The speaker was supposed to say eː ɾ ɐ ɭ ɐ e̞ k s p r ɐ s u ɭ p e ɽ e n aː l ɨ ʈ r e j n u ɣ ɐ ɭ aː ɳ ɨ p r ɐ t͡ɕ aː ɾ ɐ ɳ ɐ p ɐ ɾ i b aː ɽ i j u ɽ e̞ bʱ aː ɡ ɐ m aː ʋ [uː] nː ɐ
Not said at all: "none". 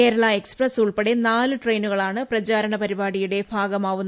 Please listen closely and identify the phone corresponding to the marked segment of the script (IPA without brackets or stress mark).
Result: u